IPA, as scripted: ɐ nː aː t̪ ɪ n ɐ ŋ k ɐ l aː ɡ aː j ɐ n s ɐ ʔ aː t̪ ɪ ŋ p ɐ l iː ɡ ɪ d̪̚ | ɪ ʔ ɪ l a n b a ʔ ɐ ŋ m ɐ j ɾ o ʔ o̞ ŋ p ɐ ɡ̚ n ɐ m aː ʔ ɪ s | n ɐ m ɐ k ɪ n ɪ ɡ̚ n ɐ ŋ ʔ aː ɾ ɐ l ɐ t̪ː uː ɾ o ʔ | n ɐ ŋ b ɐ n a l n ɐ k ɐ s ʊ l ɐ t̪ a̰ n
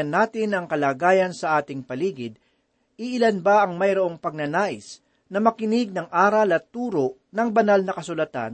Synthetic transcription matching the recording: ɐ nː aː t̪ ɪ n ɐ ŋ k ɐ l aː ɡ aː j ɐ n s ɐ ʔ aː t̪ ɪ ŋ p ɐ l iː ɡ ɪ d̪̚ | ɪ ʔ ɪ l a n b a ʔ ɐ ŋ m ɐ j ɾ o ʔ o̞ ŋ p ɐ ɡ̚ n ɐ n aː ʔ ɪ s | n ɐ m ɐ k ɪ n ɪ ɡ̚ n ɐ ŋ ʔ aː ɾ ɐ l ɐ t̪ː uː ɾ o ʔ | n ɐ ŋ b ɐ n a l n ɐ k ɐ s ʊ l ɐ t̪ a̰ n